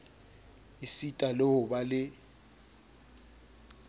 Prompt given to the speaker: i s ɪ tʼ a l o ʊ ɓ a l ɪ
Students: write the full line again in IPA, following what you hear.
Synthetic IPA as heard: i s i tʼ a l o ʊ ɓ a l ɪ

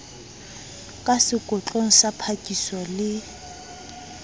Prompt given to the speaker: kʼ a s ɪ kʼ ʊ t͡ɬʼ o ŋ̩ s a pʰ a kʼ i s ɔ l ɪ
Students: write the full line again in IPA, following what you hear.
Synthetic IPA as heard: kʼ a s ɪ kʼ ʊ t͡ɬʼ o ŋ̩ s a pʰ a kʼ i s ɔ l ɪ

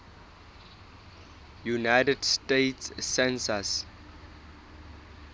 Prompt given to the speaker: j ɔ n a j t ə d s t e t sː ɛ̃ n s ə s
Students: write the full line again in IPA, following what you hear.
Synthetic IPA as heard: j u n a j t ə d s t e t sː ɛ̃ n s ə s

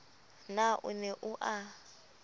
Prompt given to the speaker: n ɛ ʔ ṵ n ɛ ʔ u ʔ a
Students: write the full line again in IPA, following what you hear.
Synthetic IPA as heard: n a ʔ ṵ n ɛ ʔ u ʔ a

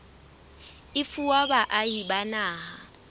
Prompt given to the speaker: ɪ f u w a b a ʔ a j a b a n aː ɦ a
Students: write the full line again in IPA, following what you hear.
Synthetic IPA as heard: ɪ f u w a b a ʔ a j i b a n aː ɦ a

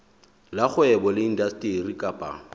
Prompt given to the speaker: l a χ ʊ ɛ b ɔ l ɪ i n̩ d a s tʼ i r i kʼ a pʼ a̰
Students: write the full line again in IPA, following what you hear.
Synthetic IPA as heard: l a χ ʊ ɛ b ɔ l ɪ i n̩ d a s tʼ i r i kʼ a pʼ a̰

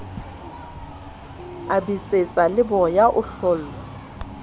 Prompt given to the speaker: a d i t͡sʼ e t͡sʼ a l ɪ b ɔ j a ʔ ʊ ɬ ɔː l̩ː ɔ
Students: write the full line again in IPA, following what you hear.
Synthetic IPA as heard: a b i t͡sʼ e t͡sʼ a l ɪ b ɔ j a ʔ ʊ ɬ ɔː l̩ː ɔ

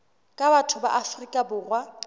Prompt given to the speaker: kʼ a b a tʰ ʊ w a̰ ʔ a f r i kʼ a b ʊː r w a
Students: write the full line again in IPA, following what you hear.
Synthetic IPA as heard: kʼ a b a tʰ ʊ b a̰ ʔ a f r i kʼ a b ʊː r w a

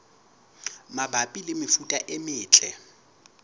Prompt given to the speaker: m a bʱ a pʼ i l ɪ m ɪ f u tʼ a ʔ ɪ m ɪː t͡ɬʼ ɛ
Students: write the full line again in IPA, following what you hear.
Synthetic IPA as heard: m a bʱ a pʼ i l ɪ m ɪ f u tʼ a ʔ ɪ m ɪː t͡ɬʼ ɛ

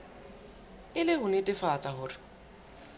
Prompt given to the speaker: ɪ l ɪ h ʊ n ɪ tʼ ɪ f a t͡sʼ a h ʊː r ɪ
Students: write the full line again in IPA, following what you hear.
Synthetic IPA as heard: ɪ l ɪ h ʊ n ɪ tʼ ɪ f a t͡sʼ a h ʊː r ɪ

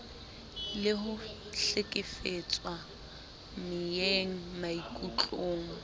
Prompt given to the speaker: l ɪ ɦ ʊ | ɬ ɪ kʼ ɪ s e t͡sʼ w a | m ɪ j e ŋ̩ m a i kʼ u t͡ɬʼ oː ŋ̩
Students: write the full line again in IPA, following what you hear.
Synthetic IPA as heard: l ɪ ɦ ʊ | ɬ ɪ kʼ ɪ f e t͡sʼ w a | m ɪ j e ŋ̩ m a i kʼ u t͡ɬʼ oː ŋ̩

